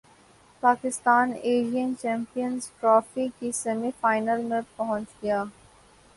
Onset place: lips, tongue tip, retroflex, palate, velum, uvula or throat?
lips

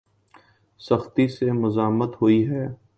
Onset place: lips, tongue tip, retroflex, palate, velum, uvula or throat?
tongue tip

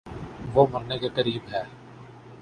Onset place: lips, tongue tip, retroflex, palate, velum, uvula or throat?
lips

